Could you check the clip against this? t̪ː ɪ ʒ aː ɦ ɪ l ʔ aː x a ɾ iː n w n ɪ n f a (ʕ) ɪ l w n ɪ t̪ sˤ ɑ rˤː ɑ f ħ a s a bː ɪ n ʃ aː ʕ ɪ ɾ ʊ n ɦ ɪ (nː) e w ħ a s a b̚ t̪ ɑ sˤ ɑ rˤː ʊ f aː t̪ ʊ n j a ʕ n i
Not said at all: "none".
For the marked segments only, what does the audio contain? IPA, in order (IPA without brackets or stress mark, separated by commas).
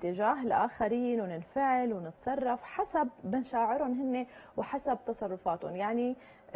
ʕ, nː